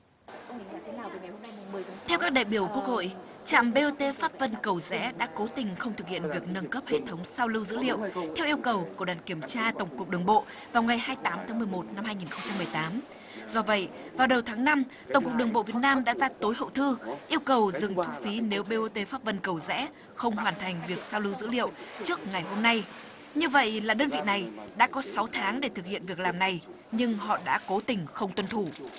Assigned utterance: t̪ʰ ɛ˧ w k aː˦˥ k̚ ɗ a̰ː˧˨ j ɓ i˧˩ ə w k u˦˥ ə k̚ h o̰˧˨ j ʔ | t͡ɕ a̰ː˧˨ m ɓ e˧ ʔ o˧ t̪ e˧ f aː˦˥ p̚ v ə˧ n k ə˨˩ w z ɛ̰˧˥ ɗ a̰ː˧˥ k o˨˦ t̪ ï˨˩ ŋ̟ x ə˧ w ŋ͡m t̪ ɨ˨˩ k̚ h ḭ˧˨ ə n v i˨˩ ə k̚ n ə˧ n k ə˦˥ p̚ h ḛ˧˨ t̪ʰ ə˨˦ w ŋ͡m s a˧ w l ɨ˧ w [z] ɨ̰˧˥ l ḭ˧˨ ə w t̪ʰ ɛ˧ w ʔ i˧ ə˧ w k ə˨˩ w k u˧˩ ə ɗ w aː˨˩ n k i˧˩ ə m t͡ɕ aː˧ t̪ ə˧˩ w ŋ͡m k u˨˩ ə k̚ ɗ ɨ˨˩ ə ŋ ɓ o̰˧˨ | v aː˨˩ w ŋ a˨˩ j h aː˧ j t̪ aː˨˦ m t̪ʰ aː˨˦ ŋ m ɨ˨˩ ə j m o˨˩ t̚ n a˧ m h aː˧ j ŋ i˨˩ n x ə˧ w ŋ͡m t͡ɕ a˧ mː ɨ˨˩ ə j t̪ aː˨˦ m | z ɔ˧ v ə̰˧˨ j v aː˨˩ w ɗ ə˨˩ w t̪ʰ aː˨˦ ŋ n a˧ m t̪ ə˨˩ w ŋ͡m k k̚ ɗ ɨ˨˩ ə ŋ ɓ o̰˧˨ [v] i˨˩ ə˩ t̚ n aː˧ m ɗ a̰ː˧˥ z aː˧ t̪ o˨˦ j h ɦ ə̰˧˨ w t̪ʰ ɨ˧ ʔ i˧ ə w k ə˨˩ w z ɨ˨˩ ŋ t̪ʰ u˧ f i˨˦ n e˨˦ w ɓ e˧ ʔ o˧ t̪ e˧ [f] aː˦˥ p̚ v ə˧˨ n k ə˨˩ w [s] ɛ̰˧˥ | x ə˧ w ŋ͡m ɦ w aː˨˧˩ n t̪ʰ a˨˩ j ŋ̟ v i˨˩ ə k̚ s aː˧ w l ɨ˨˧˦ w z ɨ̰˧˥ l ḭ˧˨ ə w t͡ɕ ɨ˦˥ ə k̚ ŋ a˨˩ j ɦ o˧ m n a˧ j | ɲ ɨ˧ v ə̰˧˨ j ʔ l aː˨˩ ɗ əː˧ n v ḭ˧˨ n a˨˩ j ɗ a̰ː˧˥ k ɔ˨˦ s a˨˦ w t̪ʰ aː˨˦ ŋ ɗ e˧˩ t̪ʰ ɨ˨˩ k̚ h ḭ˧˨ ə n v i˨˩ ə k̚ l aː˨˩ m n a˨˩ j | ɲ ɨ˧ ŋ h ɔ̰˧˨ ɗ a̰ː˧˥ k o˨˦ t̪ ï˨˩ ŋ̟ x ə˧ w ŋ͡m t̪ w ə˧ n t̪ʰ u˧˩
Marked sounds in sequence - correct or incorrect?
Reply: correct, correct, correct, incorrect: z

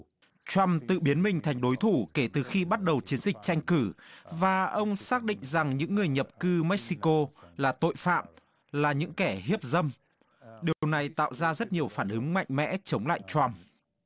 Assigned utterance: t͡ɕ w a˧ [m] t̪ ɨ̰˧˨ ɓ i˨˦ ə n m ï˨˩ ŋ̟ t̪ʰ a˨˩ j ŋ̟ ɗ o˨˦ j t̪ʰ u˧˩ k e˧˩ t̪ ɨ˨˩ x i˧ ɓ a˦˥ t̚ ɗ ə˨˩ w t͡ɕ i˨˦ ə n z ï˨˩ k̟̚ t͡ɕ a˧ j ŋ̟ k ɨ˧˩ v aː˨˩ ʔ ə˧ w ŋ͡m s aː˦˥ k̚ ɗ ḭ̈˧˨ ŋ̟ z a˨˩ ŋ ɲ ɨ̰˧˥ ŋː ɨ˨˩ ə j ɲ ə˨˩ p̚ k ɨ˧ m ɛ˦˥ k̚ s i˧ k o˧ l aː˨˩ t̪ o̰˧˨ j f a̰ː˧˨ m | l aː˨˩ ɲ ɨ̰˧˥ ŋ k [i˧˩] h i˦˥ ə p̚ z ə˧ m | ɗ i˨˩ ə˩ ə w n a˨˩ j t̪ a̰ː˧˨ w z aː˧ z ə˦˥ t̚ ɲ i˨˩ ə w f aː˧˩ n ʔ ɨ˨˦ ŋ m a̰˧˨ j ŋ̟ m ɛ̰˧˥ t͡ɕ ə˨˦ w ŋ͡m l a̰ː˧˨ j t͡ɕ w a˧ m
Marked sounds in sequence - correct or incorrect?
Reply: correct, incorrect: ɛ˧˩

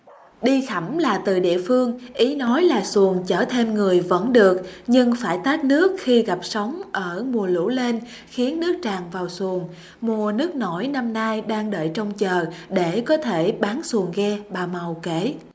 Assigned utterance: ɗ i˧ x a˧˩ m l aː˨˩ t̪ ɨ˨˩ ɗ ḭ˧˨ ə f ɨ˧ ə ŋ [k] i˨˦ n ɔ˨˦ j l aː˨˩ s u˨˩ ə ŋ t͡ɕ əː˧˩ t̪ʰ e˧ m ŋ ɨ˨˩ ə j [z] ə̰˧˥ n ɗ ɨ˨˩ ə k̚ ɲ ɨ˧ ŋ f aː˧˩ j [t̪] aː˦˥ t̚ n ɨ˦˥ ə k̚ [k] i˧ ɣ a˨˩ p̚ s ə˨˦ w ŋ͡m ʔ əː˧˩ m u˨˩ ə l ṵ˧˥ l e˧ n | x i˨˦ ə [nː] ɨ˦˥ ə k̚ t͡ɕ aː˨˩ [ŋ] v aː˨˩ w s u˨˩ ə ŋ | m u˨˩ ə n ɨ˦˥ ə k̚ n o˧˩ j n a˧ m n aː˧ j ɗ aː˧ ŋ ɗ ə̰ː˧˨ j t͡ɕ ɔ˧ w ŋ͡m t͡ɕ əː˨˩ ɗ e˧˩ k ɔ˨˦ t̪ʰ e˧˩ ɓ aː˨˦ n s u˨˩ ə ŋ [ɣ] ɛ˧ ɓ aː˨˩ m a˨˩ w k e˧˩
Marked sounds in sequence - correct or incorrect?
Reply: incorrect: ʔ, incorrect: v, correct, incorrect: x, correct, correct, correct

